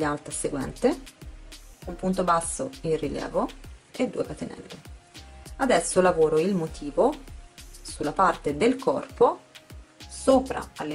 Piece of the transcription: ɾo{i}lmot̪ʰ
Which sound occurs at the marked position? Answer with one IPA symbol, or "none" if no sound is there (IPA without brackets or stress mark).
i